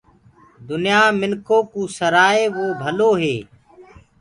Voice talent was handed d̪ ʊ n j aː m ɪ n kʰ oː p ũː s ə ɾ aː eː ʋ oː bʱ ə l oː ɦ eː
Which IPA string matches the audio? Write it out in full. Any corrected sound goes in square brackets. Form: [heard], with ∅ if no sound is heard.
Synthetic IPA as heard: d̪ ʊ n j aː m ɪ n kʰ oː [k] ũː s ə ɾ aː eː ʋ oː bʱ ə l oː ɦ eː